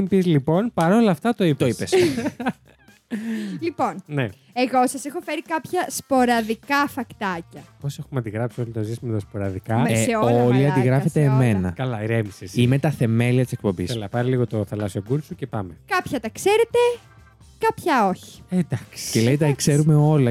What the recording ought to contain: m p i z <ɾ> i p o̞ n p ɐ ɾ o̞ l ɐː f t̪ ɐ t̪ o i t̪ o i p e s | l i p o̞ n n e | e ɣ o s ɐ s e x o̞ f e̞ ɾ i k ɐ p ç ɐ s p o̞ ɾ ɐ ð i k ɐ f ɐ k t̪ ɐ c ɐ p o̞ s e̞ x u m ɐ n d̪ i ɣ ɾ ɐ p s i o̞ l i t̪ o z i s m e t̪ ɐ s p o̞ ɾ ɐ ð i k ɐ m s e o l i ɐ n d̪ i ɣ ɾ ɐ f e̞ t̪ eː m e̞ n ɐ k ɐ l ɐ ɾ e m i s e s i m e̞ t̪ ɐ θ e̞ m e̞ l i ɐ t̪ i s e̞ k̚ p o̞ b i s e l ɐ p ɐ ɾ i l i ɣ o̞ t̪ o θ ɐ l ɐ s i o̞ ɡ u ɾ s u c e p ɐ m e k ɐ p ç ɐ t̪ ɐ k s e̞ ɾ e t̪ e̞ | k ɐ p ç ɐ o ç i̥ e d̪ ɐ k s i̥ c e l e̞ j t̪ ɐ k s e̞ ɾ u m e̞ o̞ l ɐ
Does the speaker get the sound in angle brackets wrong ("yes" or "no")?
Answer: yes